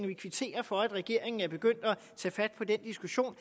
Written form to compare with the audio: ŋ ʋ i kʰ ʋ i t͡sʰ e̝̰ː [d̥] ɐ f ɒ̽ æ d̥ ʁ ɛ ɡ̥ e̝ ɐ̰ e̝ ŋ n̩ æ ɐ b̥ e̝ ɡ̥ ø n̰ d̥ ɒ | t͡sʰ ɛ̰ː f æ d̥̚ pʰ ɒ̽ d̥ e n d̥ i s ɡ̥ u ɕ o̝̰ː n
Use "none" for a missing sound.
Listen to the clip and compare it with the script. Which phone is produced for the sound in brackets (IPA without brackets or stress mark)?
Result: none